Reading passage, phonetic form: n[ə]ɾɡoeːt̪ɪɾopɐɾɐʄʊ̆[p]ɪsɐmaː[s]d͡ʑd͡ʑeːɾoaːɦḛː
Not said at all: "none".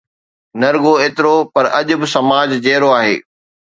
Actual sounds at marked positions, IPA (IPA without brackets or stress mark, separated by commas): ɐ, b, none